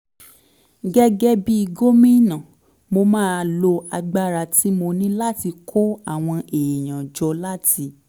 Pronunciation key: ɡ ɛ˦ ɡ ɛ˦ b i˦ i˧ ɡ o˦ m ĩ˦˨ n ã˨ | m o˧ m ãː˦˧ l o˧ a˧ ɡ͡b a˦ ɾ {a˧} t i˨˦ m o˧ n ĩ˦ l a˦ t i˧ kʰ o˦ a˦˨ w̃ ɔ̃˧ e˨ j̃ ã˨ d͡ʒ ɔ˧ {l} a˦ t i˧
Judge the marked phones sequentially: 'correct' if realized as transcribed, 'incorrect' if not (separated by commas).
correct, correct